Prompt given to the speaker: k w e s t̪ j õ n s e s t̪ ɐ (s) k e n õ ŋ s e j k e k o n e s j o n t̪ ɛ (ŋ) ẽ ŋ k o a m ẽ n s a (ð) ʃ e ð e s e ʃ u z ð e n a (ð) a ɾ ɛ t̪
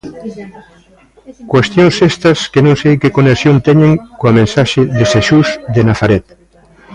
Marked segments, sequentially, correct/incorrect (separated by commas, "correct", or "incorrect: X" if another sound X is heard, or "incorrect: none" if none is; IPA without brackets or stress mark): correct, incorrect: ɲ, incorrect: none, incorrect: θ